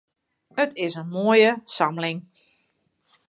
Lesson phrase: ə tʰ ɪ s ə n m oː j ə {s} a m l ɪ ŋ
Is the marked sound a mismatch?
no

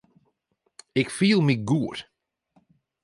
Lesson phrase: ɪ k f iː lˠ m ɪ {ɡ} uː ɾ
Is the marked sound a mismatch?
no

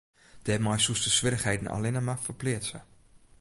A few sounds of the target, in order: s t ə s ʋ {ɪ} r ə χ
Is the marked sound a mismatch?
no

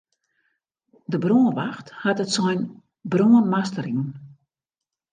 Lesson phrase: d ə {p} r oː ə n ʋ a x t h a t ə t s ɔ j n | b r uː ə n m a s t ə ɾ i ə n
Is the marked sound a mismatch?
yes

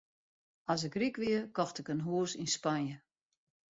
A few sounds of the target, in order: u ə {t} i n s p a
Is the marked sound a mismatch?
yes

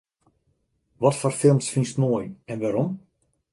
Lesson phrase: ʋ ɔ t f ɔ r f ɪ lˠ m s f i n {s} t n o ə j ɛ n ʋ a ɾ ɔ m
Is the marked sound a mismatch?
no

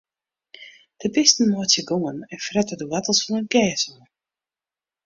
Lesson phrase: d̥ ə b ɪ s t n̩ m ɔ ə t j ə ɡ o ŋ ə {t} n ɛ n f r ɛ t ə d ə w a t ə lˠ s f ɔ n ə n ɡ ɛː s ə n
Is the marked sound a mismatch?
yes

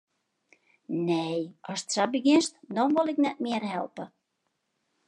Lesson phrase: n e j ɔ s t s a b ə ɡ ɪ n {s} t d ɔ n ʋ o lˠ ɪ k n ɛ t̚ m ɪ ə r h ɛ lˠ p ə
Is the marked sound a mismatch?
no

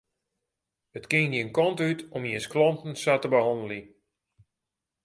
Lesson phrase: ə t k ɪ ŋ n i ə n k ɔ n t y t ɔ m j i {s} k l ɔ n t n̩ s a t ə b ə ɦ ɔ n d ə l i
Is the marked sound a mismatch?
no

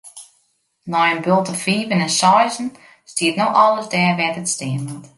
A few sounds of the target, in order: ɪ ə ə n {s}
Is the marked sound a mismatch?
yes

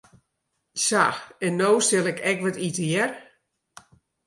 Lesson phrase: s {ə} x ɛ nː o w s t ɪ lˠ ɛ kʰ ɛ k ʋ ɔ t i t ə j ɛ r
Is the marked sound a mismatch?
yes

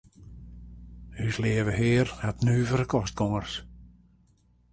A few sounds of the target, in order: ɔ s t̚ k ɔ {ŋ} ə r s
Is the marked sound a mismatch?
no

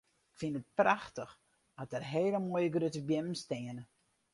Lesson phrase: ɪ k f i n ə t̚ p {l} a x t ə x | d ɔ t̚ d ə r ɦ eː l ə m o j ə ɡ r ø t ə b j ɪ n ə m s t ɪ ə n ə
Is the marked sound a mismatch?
yes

